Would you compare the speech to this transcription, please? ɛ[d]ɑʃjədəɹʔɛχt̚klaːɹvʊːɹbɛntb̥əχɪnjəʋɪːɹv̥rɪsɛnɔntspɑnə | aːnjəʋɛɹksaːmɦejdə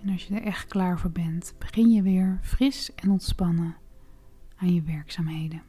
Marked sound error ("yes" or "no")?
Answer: yes